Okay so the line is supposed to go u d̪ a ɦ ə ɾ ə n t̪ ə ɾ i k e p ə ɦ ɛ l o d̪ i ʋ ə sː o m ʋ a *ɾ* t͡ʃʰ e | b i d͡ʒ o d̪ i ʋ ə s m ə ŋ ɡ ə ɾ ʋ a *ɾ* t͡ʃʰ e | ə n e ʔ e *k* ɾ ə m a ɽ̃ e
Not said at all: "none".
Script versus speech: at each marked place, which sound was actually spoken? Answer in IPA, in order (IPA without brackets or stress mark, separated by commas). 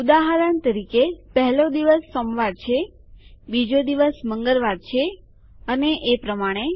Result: ɾ, ɾ, p